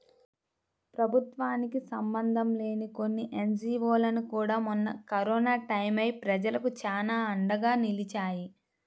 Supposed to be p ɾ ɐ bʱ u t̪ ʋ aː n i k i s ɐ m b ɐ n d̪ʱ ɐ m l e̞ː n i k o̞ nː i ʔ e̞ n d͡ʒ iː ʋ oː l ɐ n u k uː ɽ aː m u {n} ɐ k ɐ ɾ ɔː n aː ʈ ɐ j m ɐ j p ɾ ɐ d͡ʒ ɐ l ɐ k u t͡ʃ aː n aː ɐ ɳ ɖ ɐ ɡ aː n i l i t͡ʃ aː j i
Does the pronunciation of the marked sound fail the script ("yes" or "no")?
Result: yes